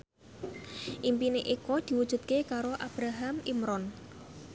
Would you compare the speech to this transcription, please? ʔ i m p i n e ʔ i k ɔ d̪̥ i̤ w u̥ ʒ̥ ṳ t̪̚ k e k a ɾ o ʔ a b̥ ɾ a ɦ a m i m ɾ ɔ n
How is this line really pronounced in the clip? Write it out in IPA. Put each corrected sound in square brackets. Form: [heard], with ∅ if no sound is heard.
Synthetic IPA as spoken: ʔ i m p i n e ʔ i k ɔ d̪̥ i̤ w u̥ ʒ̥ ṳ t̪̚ k e k a ɾ o ʔ a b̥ ɾ a ɦ a m i m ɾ ɔ n